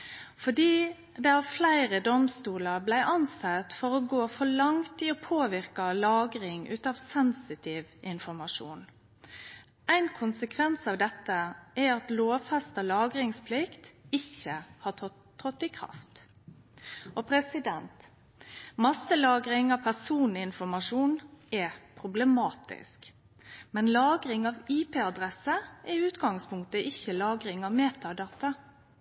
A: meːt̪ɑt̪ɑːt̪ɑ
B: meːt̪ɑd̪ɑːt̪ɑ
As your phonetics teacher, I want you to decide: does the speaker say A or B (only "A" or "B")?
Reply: B